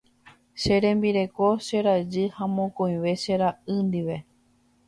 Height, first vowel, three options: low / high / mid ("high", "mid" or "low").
mid